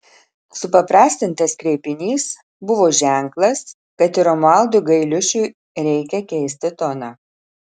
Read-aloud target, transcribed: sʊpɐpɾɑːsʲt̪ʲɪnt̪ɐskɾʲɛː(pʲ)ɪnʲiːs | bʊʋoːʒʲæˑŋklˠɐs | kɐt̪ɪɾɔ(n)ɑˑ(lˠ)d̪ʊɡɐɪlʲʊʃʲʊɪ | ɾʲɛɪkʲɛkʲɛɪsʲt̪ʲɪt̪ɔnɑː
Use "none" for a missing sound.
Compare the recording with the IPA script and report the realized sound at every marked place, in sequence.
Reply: pʲ, m, lˠ

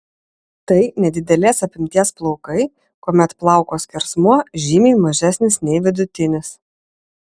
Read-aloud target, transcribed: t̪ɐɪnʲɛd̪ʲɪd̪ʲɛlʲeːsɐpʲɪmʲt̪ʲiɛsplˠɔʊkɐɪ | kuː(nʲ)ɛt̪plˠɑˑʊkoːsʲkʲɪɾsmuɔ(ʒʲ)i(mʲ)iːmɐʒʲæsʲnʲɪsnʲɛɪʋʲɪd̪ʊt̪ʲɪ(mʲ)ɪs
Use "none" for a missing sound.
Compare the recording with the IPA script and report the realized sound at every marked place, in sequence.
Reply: mʲ, ʒʲ, mʲ, nʲ

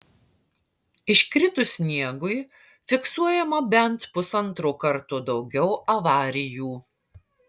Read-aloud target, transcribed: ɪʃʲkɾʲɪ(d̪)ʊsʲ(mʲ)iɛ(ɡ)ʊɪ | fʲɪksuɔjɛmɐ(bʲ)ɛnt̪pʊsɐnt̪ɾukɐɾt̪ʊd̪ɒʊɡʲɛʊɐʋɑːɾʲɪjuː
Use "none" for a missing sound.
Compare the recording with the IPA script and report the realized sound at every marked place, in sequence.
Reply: t̪, nʲ, ɡ, bʲ

